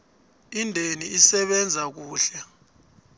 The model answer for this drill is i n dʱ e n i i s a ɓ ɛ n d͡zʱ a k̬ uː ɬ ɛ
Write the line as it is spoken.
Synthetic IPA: i n dʱ e n i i s ɛ ɓ ɛ n d͡zʱ a k̬ uː ɬ ɛ